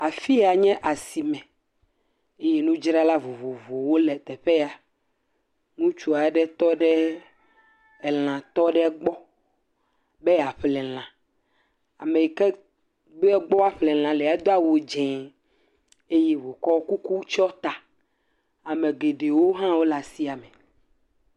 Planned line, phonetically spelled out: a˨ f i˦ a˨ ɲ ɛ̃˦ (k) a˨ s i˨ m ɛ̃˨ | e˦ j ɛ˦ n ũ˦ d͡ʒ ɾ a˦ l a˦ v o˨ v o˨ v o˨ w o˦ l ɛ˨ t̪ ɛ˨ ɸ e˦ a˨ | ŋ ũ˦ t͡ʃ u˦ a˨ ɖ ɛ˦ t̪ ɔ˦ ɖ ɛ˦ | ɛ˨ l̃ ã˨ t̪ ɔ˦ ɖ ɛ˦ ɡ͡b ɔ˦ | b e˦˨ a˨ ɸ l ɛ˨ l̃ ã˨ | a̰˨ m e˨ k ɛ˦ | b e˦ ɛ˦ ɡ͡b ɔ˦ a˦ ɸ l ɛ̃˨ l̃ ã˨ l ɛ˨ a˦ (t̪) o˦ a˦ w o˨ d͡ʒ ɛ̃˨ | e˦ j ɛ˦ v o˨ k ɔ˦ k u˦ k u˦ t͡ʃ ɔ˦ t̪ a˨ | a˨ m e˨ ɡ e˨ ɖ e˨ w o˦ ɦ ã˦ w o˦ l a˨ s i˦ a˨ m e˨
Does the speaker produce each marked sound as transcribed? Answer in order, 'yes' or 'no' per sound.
no, no

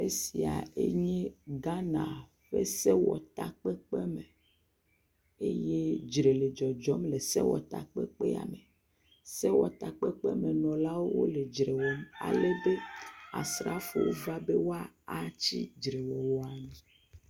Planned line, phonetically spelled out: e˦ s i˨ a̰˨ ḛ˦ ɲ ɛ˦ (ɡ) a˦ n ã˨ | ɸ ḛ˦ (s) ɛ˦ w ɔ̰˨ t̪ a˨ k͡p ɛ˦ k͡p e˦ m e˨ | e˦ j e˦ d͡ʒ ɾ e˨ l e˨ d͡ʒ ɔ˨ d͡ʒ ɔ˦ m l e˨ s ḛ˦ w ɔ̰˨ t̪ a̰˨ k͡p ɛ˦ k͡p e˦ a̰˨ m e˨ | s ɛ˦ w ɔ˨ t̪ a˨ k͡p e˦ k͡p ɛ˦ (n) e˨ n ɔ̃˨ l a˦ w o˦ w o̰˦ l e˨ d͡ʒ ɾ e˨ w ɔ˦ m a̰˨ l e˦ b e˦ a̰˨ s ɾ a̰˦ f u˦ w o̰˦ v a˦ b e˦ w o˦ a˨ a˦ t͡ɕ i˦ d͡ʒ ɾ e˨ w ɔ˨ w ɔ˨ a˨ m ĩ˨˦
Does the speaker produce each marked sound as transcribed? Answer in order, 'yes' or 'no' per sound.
yes, yes, no

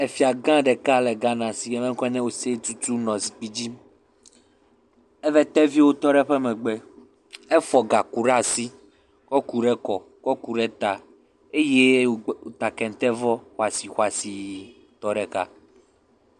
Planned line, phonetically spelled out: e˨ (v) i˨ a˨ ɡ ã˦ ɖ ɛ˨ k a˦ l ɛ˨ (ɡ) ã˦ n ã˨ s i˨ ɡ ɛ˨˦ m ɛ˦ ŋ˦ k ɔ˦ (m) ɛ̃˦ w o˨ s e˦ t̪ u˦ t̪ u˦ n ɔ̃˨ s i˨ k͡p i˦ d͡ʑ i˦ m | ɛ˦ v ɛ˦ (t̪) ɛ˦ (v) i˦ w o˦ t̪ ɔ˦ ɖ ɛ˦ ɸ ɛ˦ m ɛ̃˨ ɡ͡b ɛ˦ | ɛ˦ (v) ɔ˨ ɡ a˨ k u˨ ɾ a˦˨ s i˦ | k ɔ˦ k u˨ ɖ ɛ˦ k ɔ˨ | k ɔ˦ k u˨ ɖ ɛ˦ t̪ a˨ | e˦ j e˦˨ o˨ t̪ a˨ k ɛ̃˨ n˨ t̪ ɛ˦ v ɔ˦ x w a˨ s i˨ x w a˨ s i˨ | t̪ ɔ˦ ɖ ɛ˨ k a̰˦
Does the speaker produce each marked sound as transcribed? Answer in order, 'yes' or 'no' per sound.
no, yes, no, yes, yes, no

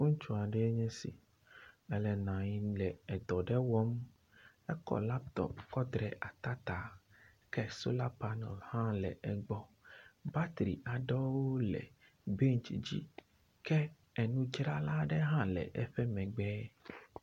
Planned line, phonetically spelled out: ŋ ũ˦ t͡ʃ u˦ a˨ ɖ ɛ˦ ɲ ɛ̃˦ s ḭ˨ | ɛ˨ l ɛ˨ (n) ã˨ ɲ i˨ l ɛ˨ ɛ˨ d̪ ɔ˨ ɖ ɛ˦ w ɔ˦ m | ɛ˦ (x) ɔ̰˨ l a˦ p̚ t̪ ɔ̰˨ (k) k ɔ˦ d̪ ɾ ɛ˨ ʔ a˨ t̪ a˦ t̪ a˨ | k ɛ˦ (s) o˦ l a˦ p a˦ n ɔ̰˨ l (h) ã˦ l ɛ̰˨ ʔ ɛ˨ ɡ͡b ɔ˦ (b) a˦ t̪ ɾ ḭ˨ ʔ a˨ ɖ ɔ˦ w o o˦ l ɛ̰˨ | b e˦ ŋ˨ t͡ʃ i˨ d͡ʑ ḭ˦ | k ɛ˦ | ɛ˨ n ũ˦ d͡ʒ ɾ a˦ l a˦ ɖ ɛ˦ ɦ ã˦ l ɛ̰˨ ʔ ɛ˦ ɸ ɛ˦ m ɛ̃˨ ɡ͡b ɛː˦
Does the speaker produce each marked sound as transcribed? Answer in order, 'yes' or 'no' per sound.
yes, no, no, yes, yes, yes

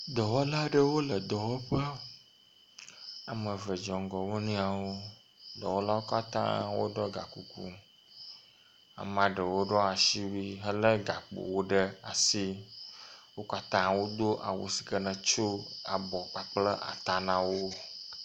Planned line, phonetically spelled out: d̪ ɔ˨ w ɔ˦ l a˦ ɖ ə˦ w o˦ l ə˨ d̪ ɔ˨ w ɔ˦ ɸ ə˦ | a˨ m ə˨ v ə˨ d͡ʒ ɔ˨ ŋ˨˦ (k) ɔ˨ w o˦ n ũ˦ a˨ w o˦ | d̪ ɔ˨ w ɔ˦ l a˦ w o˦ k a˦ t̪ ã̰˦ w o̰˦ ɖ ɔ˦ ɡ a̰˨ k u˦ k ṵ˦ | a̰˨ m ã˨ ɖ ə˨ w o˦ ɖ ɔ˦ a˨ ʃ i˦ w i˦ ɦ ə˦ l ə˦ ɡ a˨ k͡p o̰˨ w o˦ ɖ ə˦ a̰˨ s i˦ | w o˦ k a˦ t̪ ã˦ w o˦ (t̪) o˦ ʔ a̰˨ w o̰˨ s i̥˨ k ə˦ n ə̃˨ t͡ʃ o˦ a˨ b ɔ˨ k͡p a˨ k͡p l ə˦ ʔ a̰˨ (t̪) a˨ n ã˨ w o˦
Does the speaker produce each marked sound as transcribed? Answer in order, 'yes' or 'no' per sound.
no, no, yes

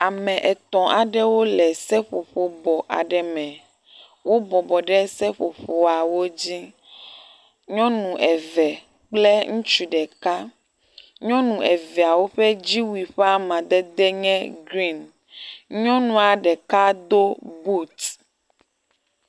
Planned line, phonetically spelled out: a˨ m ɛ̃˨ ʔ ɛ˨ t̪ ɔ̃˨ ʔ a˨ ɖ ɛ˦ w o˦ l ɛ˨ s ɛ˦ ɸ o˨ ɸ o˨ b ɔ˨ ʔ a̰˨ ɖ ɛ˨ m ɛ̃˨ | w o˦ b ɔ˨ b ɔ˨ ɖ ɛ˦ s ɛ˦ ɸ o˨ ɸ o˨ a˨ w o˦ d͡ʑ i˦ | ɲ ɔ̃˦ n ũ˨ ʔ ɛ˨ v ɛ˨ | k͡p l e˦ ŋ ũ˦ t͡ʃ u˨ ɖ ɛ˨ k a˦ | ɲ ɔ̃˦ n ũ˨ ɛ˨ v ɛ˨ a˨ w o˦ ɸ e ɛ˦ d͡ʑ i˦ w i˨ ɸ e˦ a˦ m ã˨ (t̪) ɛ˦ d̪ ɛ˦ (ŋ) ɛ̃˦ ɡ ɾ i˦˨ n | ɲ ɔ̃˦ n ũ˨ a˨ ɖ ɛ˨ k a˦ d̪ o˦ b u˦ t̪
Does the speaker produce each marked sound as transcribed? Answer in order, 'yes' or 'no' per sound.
no, no

